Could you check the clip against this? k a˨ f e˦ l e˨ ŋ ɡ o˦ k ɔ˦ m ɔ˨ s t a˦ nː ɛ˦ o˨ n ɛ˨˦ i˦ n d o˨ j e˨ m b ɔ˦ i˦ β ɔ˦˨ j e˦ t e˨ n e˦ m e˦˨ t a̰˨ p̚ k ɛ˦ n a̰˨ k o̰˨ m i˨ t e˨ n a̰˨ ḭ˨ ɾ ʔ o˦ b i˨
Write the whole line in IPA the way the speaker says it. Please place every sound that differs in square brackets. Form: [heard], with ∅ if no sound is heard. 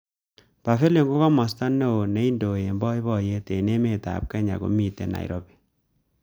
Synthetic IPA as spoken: [p] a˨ f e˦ l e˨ ŋ ɡ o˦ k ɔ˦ m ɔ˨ s t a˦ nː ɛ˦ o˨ n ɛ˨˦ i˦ n d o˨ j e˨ m b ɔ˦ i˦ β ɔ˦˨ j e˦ t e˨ n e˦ m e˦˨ t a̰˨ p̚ k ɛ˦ [ɲ] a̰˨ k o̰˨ m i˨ t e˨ n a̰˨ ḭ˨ ɾ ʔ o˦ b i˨

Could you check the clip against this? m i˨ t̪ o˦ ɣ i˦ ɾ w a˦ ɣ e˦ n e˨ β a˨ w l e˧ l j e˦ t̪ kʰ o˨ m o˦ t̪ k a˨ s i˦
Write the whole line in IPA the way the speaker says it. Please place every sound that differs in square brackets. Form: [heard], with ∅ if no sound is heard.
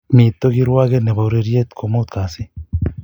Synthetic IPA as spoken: m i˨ t̪ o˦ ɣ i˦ ɾ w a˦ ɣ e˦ n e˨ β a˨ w [ɾ] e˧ [ɾ] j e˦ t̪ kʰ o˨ m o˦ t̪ k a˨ s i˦

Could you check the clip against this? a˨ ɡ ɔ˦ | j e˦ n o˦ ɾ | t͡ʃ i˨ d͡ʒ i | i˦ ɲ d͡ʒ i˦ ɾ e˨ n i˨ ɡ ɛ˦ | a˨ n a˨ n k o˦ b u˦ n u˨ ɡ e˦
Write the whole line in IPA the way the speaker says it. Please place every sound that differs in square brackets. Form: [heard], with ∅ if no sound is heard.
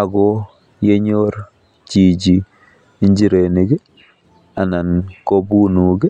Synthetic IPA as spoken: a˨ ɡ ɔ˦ | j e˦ [ɲ] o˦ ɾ | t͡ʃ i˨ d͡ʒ i | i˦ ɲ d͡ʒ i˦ ɾ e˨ n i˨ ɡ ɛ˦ | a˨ n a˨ n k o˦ b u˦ n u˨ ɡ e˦

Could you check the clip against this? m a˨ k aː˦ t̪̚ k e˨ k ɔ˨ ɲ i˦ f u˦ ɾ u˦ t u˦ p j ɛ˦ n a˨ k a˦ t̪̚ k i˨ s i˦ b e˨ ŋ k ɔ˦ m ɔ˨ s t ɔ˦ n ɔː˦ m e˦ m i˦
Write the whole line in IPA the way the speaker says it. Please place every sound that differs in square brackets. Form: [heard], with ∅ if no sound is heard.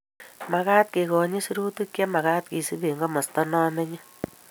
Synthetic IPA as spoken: m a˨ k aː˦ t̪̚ k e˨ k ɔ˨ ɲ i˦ [s] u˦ ɾ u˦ t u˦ [k] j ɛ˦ [m] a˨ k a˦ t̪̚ k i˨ s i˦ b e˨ ŋ [ɡ] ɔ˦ m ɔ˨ s t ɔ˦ n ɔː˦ m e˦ [ɲ] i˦

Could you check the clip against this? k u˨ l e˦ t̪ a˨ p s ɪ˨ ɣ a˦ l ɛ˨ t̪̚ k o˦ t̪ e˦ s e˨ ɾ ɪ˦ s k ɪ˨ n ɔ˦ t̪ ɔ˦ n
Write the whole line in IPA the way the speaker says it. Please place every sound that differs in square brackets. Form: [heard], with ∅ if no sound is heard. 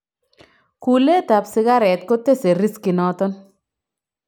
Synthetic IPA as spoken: k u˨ l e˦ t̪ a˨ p s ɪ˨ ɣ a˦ [ɾ] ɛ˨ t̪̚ k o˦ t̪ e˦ s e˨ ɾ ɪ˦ s k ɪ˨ n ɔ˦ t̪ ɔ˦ n

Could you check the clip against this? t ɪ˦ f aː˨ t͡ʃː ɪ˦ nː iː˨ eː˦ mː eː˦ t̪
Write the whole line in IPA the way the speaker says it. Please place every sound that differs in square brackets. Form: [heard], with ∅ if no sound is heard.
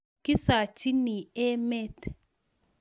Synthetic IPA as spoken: [k] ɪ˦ [s] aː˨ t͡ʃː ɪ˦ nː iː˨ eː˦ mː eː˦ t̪

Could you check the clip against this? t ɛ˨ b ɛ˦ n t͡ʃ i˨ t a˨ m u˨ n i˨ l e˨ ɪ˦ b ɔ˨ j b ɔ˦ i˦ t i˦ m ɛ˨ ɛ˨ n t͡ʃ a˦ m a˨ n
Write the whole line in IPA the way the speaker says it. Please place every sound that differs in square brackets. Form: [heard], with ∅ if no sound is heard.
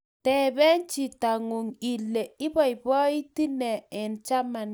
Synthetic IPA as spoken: t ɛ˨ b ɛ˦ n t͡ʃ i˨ t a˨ [ŋ] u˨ [ŋ] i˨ l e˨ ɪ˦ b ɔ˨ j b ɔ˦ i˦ t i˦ [n] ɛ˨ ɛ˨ n t͡ʃ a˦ m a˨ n

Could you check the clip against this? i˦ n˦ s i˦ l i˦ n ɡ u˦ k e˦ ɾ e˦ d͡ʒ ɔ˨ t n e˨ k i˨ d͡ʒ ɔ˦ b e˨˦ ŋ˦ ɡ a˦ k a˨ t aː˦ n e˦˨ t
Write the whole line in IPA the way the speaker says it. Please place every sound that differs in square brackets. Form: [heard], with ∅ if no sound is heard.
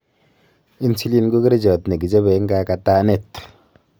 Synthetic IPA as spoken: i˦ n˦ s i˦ l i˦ n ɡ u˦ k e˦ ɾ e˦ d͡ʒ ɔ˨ t n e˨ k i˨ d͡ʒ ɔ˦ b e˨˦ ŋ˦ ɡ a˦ k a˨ t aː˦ n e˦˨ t

